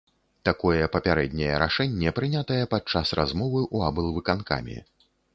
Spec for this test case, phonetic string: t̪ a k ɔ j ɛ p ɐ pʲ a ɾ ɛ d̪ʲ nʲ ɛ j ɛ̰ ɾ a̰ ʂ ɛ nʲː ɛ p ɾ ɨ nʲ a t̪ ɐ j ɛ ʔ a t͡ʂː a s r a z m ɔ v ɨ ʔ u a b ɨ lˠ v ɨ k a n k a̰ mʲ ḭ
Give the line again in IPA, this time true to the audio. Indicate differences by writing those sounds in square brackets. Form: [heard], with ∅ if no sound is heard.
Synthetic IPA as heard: t̪ a k ɔ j ɛ p ɐ pʲ a ɾ ɛ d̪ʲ nʲ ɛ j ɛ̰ ɾ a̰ ʂ ɛ nʲː ɛ p ɾ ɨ nʲ a t̪ ɐ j ɛ [p] a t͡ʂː a s r a z m ɔ v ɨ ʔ u a b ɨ lˠ v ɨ k a n k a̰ mʲ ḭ